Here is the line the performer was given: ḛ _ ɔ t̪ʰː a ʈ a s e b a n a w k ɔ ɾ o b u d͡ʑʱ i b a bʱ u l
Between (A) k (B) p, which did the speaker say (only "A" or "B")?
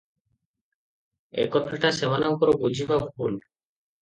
A